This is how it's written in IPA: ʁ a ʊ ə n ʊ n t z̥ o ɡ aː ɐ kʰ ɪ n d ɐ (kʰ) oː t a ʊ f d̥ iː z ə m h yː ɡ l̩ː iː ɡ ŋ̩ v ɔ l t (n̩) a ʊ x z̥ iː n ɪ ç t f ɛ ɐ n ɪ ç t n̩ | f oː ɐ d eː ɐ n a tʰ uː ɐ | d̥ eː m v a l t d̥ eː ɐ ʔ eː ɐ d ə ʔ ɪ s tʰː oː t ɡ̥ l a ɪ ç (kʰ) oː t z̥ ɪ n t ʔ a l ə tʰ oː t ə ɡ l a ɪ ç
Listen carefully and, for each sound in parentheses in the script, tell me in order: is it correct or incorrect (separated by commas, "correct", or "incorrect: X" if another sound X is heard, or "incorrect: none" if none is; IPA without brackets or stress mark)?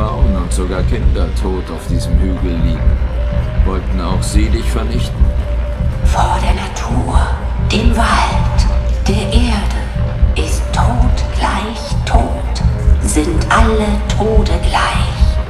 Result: incorrect: tʰ, correct, incorrect: tʰ